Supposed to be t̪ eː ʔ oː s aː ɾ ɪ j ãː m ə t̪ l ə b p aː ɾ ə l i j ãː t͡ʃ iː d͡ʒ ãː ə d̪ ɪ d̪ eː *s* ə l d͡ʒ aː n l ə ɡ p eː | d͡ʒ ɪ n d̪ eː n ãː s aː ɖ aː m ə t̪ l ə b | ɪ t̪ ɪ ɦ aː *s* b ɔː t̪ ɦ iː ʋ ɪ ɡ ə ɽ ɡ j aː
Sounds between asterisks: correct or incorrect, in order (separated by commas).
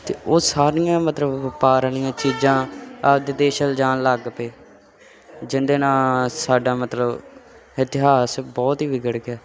incorrect, correct